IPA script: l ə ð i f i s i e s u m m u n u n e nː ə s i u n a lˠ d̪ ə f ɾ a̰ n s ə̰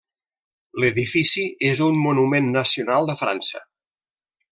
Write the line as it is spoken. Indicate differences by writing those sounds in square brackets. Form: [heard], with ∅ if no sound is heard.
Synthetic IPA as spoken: l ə ð i f i s i e [z] u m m u n u [m] e nː ə s i u n a lˠ d̪ ə f ɾ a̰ n s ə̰